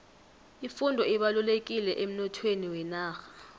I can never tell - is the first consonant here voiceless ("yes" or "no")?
yes